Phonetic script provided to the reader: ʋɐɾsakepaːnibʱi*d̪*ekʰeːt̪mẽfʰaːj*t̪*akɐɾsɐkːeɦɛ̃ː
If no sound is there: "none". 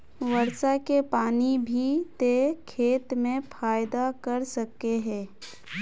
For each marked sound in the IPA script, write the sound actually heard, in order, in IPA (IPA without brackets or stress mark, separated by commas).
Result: t̪, d̪